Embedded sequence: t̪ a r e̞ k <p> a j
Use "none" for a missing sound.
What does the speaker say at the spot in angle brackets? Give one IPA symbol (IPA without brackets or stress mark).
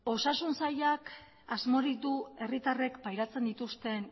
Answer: p